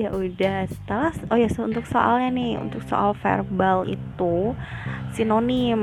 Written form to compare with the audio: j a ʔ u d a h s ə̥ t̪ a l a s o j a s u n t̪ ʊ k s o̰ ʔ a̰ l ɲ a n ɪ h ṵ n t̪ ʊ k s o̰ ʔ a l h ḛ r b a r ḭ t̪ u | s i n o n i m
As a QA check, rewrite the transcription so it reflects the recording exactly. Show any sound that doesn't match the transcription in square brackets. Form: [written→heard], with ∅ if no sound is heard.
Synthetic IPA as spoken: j a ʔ u d a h s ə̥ t̪ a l a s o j a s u n t̪ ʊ k s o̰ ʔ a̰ l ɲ a n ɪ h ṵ n t̪ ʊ k s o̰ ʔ a l [h→f] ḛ r b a [r→l] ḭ t̪ u | s i n o n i m